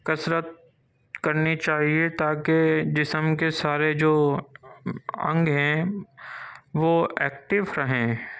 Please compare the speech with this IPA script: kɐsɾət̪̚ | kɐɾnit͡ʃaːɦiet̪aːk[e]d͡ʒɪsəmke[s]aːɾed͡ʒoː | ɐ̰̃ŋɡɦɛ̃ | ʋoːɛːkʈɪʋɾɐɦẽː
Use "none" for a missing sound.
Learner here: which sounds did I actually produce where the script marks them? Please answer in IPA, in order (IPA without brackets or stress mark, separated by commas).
e, s